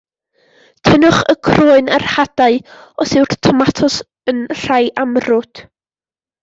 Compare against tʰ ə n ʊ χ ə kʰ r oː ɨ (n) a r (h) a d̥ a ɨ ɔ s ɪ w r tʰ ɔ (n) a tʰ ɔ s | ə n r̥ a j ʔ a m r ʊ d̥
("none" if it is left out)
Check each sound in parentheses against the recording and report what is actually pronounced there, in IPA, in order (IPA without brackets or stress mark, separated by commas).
n, h, m